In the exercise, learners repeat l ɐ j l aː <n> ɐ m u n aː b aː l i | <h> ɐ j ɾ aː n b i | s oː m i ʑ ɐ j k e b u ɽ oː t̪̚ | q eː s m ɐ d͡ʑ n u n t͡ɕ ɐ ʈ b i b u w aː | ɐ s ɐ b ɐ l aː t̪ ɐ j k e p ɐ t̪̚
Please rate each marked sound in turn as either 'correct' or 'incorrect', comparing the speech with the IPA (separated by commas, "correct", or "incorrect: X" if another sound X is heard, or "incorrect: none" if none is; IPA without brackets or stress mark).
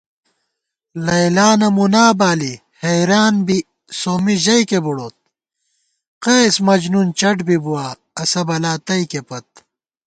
correct, correct